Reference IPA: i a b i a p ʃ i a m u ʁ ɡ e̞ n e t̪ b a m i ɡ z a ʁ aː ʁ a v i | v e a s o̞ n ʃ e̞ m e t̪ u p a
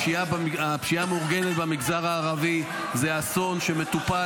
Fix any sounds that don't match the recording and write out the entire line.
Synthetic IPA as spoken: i a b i a p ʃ i a m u ʁ ɡ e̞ n e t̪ b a m i ɡ z a ʁ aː ʁ a v i | z e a s o̞ n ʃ e̞ m e t̪ u p a